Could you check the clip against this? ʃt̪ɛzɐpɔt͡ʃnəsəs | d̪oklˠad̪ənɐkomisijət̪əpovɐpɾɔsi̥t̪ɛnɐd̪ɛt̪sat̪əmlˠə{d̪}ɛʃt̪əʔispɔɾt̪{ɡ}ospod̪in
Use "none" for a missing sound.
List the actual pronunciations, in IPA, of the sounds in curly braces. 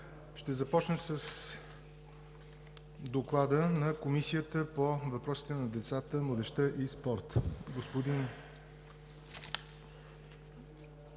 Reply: d̪, ɡ

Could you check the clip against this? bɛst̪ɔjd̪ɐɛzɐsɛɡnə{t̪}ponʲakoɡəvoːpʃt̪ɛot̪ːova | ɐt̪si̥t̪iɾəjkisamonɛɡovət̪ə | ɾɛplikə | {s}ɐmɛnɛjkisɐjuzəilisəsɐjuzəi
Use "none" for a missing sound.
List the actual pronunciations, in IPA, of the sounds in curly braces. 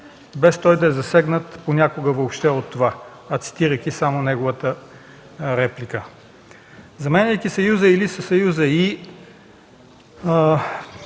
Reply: t̪, z

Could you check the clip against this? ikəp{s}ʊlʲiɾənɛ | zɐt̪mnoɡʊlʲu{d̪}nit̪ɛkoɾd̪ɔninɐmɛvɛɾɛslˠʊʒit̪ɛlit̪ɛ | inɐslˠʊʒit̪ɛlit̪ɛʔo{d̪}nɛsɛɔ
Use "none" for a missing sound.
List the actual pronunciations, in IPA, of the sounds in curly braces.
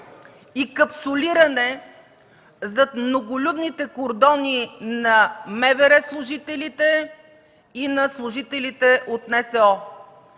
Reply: s, d̪, t̪

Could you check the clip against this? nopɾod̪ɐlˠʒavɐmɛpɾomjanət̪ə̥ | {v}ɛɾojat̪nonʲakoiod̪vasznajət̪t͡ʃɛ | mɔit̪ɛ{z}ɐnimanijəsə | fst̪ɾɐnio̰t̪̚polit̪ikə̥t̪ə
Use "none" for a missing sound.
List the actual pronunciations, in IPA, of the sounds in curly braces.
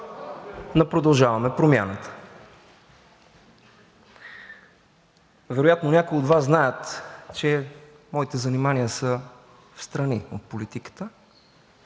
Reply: v, z

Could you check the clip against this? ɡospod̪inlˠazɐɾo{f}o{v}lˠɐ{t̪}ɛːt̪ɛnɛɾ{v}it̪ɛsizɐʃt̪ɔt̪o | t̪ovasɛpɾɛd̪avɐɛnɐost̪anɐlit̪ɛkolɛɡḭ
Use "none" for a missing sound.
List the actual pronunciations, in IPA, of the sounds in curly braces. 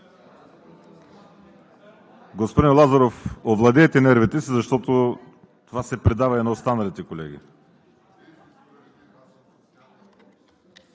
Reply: f, v, d̪, v

